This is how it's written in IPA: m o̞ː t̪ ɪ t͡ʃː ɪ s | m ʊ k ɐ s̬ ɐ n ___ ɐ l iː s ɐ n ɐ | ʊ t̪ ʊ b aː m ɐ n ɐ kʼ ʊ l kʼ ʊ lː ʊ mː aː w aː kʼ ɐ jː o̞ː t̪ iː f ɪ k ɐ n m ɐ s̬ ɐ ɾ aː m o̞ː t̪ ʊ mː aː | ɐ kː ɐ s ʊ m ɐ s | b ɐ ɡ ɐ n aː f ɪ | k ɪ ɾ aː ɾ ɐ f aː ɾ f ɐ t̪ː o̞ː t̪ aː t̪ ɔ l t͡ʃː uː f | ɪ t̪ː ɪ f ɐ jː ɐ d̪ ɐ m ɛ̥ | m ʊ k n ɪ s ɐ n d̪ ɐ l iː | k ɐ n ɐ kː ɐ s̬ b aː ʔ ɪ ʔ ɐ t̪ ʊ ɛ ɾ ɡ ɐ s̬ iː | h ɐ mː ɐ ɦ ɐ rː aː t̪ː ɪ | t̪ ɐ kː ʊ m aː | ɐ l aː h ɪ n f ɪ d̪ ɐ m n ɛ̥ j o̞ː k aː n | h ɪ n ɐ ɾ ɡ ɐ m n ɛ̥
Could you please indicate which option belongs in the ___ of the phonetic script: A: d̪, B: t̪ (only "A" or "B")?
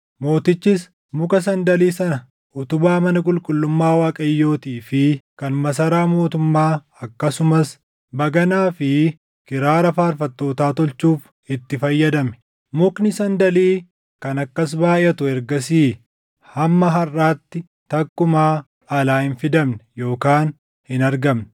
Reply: A